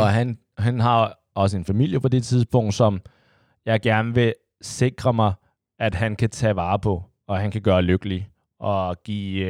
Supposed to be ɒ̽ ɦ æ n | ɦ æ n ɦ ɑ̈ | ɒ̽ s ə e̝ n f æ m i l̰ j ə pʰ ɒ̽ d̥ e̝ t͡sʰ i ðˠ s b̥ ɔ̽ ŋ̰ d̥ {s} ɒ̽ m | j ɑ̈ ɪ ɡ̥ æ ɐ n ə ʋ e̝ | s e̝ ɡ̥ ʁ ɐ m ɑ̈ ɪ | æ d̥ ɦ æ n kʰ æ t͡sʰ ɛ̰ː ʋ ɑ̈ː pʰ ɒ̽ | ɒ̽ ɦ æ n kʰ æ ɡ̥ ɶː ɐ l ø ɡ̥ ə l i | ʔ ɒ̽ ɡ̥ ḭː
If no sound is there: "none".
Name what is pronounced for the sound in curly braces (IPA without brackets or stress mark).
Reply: s